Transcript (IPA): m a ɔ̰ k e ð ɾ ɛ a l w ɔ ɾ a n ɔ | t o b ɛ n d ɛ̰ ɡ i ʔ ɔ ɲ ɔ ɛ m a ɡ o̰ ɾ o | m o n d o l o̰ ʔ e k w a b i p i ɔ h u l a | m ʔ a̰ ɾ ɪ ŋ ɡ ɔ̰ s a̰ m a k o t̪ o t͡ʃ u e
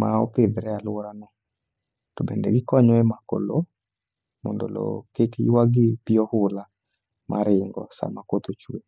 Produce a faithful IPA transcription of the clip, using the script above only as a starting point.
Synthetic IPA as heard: m a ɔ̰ p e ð ɾ ɛ a l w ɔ ɾ a n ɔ | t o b ɛ n d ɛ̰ ɡ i k ɔ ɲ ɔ ɛ m a k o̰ l o | m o n d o l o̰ k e k w a ɡ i p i ɔ h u l a | m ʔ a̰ ɾ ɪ ŋ ɡ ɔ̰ s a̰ m a k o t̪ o t͡ʃ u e